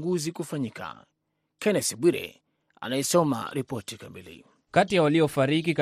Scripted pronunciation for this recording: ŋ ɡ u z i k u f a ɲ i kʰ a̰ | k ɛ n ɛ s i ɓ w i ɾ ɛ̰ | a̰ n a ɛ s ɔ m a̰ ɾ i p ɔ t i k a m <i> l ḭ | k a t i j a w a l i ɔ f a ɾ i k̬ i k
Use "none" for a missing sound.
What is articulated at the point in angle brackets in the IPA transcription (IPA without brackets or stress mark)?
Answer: i